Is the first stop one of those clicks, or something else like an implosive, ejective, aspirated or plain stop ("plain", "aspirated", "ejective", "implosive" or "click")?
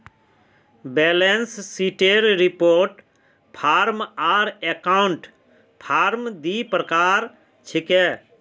plain